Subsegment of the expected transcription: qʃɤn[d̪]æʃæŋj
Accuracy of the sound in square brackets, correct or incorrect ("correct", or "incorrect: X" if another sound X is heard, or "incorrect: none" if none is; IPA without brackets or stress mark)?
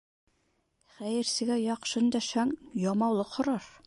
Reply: correct